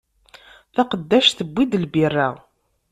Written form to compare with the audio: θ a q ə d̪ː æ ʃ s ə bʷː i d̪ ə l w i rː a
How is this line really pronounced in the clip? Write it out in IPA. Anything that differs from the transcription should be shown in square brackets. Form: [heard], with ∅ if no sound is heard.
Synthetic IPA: θ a q ə d̪ː æ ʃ [θ] ə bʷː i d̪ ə l [b] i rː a